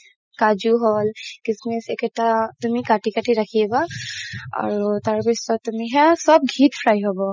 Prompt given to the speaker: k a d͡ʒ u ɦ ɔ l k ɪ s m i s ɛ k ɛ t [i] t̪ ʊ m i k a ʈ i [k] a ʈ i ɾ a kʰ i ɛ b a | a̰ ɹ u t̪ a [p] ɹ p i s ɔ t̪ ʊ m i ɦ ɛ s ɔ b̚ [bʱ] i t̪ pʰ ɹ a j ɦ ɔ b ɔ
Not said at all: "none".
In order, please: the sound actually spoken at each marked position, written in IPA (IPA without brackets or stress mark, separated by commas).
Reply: a, k, none, ɡʱ